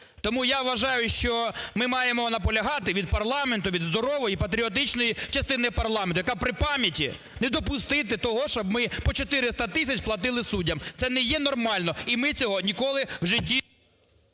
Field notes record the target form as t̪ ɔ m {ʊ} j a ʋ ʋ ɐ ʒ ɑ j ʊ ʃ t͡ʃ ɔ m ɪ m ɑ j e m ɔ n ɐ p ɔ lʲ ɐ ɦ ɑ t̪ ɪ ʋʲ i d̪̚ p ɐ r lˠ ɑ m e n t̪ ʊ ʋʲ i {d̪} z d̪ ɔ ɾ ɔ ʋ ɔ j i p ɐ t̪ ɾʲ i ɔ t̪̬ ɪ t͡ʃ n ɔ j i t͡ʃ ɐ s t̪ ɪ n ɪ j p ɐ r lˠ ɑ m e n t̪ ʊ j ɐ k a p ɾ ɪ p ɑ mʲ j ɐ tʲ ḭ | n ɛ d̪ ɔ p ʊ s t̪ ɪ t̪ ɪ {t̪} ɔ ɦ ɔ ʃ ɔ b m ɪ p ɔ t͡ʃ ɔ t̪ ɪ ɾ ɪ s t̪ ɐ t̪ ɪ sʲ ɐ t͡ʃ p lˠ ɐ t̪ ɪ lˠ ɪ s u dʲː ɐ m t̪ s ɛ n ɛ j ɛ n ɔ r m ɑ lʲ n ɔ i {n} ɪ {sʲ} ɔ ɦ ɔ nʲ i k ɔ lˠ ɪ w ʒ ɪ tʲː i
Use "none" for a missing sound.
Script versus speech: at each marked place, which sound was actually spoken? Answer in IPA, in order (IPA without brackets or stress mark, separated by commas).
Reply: u, d̪, t̪, m, t͡sʲ